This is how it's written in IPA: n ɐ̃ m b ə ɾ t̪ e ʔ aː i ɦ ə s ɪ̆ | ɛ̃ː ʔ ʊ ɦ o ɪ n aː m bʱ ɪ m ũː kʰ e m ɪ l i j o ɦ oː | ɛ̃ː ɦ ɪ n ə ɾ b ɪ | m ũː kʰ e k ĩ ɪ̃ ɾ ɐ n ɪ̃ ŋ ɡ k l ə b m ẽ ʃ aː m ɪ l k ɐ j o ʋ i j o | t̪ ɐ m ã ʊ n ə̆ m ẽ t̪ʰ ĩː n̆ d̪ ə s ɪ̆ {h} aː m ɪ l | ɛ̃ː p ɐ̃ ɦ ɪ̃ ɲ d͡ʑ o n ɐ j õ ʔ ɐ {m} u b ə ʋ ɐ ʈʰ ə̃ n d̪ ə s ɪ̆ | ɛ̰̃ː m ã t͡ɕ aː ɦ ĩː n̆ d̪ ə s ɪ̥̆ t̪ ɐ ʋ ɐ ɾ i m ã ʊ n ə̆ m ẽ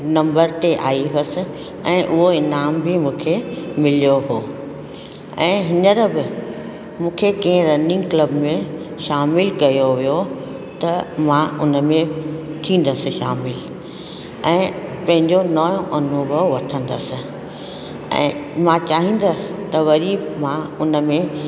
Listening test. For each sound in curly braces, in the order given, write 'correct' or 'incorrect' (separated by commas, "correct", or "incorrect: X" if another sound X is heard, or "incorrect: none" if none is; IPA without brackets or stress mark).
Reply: incorrect: ʃ, incorrect: n